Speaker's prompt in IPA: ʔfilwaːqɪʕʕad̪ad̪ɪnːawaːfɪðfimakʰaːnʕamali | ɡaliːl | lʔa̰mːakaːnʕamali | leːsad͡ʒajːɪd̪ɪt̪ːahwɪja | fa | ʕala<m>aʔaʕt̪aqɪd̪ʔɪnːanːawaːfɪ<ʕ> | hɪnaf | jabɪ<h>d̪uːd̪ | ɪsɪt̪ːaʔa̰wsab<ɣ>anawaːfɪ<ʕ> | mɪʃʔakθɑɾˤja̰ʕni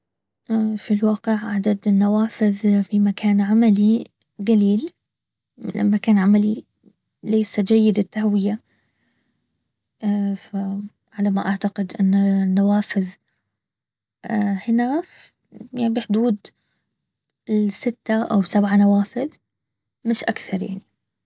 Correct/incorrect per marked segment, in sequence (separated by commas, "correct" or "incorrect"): correct, incorrect, incorrect, incorrect, incorrect